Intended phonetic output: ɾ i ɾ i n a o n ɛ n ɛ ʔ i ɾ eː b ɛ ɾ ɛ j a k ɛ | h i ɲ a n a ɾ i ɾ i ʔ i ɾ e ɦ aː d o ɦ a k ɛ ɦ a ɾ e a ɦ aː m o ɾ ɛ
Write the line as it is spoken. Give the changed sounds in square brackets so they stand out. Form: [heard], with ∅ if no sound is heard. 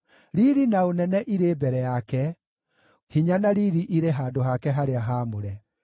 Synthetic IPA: ɾ i ɾ i n a o n ɛ n ɛ ʔ i ɾ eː b ɛ ɾ ɛ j a k ɛ | h i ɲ a n a ɾ i ɾ i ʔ i ɾ e ɦ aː d o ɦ a k ɛ ɦ a ɾ e a ɦ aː m o ɾ ɛ